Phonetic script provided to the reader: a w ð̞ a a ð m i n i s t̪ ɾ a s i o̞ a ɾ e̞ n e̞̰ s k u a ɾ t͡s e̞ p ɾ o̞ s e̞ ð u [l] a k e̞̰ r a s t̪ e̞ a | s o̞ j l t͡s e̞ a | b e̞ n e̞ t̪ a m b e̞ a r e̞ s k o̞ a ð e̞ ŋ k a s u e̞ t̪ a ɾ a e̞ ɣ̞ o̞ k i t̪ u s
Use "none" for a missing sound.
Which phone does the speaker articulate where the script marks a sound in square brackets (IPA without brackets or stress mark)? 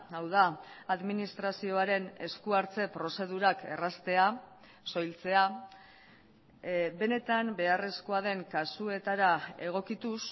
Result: ɾ